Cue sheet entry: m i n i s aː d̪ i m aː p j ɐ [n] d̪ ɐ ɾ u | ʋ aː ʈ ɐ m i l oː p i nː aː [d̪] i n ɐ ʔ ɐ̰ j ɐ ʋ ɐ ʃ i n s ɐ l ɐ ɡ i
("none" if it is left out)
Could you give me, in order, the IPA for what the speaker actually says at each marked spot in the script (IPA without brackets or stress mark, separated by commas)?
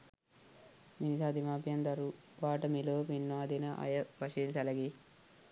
n, d̪